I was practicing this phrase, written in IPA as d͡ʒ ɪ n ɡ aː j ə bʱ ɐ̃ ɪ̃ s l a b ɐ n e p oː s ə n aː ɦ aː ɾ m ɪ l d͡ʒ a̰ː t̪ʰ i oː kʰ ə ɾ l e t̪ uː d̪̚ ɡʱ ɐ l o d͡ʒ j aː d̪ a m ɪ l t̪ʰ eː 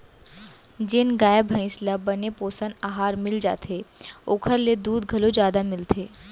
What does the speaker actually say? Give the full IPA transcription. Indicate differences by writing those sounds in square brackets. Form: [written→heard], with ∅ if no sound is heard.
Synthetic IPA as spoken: d͡ʒ ɪ n ɡ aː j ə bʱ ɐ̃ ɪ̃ s l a b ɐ n e p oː s ə n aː ɦ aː ɾ m ɪ l d͡ʒ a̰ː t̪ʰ [i→e] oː kʰ ə ɾ l e [t̪→d̪] uː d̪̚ ɡʱ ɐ l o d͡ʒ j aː d̪ a m ɪ l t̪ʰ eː